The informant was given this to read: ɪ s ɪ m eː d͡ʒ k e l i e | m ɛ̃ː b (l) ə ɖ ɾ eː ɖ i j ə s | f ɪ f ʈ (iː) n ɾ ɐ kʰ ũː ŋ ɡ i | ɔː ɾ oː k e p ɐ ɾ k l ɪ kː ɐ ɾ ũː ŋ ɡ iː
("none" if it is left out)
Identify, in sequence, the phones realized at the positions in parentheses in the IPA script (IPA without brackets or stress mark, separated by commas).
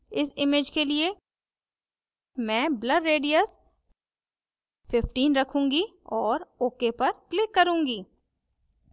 l, iː